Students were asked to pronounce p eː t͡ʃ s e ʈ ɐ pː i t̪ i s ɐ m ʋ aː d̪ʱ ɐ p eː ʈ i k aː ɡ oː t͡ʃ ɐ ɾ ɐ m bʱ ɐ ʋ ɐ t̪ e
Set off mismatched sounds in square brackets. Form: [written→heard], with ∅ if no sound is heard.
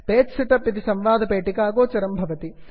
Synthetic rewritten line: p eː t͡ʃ s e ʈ ɐ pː i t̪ i s ɐ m ʋ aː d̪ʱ ɐ p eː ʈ i k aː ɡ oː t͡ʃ ɐ ɾ ɐ m bʱ ɐ ʋ ɐ t̪ [e→i]

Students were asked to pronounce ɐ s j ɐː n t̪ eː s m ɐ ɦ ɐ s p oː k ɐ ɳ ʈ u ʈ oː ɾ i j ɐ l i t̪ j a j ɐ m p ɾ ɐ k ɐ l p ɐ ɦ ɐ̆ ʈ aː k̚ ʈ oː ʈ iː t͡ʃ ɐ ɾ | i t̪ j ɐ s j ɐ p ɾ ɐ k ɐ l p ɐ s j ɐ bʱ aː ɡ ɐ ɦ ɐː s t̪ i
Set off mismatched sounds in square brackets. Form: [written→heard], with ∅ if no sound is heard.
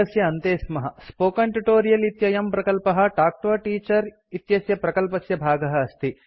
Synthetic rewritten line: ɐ s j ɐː n t̪ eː s m ɐ ɦ ɐ s p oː k ɐ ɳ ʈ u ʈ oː ɾ i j ɐ l i t̪ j [a→ɐ] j ɐ m p ɾ ɐ k ɐ l p ɐ ɦ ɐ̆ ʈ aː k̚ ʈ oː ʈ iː t͡ʃ ɐ ɾ | i t̪ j ɐ s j ɐ p ɾ ɐ k ɐ l p ɐ s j ɐ bʱ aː ɡ ɐ ɦ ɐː s t̪ i

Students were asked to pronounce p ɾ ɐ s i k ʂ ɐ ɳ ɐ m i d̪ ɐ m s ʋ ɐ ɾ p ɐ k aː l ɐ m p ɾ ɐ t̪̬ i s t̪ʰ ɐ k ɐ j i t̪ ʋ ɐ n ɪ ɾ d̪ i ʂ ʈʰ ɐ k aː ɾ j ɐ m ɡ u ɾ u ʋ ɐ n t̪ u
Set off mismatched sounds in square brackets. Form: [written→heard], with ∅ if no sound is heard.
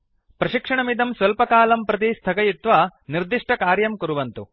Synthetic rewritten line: p ɾ ɐ [s→ʃ] i k ʂ ɐ ɳ ɐ m i d̪ ɐ m s ʋ ɐ [ɾ→l] p ɐ k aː l ɐ m p ɾ ɐ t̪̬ i s t̪ʰ ɐ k ɐ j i t̪ ʋ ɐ n [ɪ→i] ɾ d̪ i ʂ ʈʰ ɐ k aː ɾ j ɐ m [ɡ→k] u ɾ u ʋ ɐ n t̪ u

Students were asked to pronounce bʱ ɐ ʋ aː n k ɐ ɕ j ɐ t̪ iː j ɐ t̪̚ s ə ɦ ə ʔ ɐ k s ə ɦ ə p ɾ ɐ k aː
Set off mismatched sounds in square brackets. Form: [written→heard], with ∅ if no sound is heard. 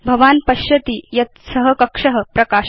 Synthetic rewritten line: bʱ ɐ ʋ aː n [k→p] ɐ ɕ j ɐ t̪ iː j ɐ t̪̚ s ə ɦ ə [ʔ→k] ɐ k [s→ʂ] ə ɦ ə p ɾ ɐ k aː

